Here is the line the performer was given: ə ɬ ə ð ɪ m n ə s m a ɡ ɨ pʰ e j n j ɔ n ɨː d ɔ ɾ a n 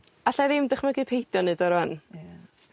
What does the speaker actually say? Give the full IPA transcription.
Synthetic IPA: a ɬ a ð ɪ m d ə χ m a ɡ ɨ pʰ e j d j ɔ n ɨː d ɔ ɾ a n